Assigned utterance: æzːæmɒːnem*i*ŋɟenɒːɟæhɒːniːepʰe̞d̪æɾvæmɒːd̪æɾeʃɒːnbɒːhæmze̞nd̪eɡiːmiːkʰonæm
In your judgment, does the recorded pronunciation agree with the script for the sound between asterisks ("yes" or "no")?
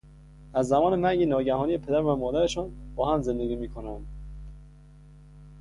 no